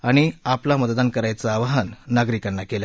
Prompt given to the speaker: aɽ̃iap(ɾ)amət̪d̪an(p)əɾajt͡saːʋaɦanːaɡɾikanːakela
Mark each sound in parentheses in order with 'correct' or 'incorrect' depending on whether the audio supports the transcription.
incorrect: l, incorrect: k

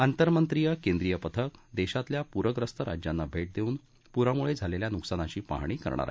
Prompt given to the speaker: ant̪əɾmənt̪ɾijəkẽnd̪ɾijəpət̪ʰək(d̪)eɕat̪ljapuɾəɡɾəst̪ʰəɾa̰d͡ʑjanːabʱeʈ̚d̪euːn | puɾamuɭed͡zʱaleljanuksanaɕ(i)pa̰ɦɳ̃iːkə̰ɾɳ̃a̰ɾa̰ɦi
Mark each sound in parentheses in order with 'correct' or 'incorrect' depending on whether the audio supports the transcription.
correct, incorrect: iː

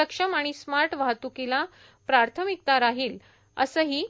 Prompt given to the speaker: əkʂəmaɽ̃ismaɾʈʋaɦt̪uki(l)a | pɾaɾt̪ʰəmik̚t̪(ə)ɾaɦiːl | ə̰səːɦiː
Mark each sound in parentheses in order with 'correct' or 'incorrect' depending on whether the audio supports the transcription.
correct, incorrect: a

